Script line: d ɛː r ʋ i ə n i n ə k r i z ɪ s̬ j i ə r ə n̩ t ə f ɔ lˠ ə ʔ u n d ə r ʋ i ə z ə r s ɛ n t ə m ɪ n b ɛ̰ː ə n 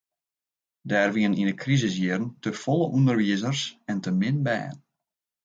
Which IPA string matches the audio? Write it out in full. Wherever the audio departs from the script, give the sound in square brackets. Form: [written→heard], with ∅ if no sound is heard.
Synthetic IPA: d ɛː r ʋ i ə n i n ə k r i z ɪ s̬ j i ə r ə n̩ t ə f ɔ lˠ ə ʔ u n d ə r ʋ i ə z ə r s ɛ n t ə m ɪ n b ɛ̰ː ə n